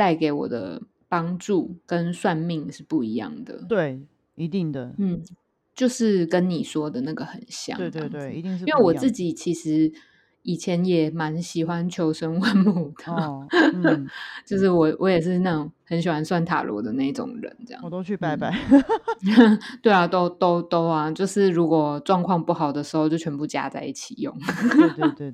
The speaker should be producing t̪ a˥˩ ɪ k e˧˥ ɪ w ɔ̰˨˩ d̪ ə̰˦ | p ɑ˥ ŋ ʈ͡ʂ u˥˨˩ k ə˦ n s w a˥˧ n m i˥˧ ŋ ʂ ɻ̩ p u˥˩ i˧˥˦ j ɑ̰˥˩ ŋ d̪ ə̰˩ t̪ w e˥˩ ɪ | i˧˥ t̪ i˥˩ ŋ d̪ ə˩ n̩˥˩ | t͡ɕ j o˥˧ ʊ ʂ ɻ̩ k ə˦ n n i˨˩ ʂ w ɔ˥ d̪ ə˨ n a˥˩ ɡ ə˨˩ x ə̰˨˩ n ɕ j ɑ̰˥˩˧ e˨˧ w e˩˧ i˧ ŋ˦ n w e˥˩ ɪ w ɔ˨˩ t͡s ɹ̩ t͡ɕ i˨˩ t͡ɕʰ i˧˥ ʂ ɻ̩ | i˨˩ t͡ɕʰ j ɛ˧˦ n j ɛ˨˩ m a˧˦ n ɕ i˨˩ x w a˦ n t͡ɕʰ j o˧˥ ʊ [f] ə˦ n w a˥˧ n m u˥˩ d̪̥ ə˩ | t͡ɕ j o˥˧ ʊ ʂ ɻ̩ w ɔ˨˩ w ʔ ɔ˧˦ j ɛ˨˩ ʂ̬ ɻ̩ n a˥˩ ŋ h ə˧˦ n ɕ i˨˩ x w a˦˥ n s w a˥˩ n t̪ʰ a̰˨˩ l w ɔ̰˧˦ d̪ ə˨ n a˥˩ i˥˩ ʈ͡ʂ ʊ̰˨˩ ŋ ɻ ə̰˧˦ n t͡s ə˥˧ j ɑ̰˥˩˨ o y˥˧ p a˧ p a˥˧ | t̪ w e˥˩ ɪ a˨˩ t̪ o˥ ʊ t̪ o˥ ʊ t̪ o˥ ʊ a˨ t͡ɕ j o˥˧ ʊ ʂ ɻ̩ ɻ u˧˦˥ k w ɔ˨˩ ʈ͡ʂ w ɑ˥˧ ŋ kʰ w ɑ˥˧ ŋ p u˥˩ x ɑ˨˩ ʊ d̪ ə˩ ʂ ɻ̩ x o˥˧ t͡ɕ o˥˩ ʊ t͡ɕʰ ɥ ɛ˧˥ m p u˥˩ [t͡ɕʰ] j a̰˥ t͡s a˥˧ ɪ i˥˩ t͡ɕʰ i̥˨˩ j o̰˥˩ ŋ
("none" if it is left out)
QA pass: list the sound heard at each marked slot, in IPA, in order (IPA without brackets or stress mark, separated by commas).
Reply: ʂ, t͡ɕ